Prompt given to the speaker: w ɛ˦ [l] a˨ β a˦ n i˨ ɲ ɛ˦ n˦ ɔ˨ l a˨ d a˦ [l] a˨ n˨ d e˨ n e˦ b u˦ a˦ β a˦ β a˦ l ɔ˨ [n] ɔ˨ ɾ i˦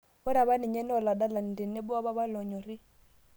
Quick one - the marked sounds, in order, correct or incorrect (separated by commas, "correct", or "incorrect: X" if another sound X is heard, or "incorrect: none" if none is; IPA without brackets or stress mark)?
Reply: incorrect: ɾ, correct, incorrect: ɲ